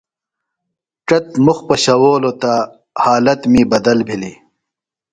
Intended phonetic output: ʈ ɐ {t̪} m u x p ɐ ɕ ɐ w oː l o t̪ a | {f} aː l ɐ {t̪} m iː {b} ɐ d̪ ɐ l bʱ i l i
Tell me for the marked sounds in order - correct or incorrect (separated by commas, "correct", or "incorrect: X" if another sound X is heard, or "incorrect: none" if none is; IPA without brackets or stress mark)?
correct, incorrect: h, correct, correct